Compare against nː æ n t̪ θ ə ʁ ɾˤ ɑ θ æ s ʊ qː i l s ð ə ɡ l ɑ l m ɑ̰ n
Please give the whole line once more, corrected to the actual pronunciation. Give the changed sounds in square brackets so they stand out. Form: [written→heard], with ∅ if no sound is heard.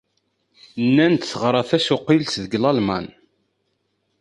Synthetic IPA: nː æ n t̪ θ ə ʁ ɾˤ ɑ θ æ s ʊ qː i l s ð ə ɡ l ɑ l m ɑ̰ n